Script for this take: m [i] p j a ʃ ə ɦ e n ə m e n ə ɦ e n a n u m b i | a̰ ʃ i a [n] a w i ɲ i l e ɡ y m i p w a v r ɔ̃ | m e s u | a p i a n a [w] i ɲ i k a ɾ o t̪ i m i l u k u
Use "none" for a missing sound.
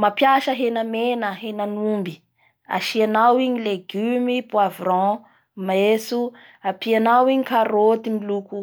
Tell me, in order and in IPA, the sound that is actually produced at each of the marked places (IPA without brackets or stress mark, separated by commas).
a, n, w